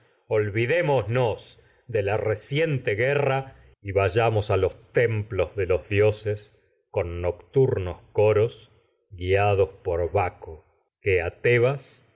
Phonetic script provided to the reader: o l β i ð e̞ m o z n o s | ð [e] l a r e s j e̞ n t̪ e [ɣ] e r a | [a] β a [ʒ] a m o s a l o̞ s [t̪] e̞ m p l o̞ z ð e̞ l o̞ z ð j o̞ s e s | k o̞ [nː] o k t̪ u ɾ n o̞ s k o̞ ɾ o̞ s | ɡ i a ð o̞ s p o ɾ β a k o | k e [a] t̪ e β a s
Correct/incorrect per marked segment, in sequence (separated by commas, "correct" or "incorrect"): correct, correct, incorrect, correct, correct, correct, correct